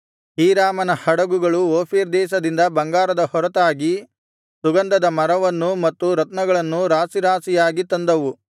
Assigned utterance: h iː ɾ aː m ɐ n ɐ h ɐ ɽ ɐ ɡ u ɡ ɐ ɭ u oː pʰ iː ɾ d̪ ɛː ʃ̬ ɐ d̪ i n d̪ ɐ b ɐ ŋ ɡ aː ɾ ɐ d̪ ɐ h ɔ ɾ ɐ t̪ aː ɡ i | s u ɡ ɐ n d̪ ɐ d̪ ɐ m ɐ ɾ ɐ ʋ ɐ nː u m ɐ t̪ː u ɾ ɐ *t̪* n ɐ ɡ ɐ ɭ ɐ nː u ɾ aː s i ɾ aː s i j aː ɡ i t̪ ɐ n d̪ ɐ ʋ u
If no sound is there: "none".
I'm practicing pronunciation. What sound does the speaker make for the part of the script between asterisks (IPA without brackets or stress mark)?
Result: t̪